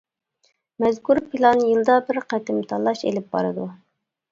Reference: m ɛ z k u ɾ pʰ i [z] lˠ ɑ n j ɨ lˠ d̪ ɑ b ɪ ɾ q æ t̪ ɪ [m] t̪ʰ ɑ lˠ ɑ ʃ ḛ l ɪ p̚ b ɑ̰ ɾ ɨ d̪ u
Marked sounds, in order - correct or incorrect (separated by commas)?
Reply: incorrect, correct